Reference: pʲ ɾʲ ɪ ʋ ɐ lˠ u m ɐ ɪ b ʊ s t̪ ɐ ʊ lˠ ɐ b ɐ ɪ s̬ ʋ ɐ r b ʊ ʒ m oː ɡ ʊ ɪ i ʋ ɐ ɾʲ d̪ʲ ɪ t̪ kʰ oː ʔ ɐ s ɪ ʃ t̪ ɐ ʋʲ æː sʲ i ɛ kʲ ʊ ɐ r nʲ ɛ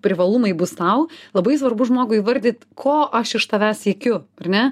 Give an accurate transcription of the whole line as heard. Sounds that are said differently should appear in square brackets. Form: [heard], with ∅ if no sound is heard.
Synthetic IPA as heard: pʲ ɾʲ ɪ ʋ ɐ lˠ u m ɐ ɪ b ʊ s t̪ ɐ ʊ lˠ ɐ b ɐ ɪ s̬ ʋ ɐ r b ʊ ʒ m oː ɡ ʊ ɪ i ʋ ɐ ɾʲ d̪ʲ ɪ t̪ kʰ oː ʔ ɐ [ʃ] ɪ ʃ t̪ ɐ ʋʲ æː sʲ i ɛ kʲ ʊ ɐ r nʲ ɛ